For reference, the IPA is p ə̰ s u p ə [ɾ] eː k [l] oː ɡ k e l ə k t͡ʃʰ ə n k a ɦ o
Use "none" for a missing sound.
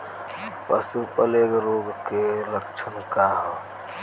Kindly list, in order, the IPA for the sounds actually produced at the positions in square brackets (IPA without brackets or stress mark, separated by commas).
l, ɾ